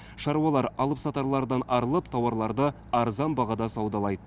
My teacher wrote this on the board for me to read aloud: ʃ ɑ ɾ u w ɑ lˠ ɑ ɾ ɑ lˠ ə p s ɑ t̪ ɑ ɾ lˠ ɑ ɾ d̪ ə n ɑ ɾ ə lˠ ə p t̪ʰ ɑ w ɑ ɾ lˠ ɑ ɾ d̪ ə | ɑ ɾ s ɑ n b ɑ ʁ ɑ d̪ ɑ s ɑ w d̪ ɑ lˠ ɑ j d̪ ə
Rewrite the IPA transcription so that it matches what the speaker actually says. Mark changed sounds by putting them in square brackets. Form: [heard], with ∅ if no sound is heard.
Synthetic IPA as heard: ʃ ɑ ɾ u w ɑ lˠ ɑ ɾ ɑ lˠ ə p s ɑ t̪ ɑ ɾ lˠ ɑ ɾ d̪ [ɑ] n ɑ ɾ ə lˠ ə p t̪ʰ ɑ w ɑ ɾ lˠ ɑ ɾ d̪ ə | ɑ ɾ [z] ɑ n b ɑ ʁ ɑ d̪ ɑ s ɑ w d̪ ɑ lˠ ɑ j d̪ ə